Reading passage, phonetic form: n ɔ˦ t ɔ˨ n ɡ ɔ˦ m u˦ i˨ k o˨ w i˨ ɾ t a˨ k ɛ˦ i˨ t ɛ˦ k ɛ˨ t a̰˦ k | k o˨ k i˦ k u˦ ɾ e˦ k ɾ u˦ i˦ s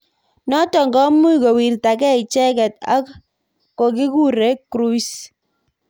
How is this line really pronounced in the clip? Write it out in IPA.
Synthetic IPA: n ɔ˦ t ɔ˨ ŋ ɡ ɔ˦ m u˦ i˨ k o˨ w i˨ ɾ t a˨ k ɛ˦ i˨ t͡ʃ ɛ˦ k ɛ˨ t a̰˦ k | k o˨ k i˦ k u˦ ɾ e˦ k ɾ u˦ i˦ s